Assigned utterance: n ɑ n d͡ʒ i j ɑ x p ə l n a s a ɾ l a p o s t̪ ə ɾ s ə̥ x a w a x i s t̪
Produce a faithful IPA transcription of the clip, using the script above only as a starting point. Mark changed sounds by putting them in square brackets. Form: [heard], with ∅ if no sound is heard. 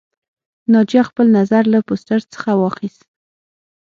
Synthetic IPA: n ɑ [∅] d͡ʒ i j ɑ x p ə l n a [z] a ɾ l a p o s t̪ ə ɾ [t͡s] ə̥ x a w [ɑ] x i s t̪